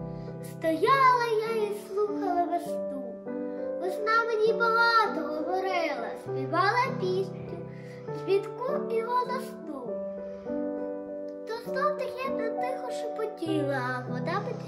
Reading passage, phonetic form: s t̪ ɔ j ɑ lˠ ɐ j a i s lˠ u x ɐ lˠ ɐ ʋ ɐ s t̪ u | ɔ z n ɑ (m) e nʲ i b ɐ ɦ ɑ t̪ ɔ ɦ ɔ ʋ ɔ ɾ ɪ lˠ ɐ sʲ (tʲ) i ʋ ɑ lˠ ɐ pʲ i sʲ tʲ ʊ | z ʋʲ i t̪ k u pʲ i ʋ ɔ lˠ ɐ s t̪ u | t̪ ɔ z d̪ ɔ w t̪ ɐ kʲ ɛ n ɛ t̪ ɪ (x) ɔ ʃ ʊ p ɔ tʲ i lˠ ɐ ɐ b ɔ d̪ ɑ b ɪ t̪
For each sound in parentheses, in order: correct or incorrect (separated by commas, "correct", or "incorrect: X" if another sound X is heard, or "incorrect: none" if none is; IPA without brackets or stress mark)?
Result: correct, incorrect: pʲ, correct